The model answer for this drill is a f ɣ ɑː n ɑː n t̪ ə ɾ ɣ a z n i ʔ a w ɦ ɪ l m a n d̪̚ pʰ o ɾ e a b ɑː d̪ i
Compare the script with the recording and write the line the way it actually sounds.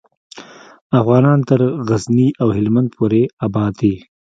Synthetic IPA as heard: a f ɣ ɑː n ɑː n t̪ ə ɾ ɣ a z n i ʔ a w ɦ ɪ l m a n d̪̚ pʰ o ɾ e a b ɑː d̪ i